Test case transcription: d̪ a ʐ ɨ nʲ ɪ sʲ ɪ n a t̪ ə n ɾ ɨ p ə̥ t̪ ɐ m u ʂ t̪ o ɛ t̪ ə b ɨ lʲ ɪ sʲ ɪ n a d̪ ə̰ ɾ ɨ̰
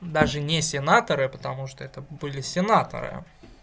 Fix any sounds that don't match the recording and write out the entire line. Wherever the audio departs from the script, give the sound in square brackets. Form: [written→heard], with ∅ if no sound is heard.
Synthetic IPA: d̪ a ʐ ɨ nʲ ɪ sʲ ɪ n a t̪ ə [n→∅] ɾ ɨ p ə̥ t̪ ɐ m u ʂ t̪ o ɛ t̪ ə b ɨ lʲ ɪ sʲ ɪ n a [d̪→t̪] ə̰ ɾ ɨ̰